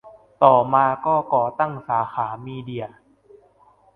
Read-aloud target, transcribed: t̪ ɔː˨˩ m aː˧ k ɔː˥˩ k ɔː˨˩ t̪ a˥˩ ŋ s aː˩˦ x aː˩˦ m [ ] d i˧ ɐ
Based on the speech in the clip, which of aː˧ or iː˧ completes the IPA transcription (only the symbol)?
iː˧